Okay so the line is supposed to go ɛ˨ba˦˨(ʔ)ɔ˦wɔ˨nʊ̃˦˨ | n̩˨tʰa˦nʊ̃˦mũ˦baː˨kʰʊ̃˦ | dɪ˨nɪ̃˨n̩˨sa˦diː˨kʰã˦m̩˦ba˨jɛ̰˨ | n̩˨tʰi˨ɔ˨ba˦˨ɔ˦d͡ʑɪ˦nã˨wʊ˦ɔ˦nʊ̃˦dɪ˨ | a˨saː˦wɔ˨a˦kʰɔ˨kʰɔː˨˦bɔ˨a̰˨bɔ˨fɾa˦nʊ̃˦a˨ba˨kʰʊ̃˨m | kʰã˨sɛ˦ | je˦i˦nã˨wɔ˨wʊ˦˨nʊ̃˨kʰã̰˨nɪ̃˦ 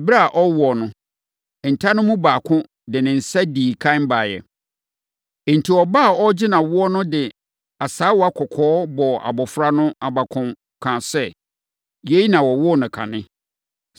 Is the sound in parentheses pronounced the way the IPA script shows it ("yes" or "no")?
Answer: yes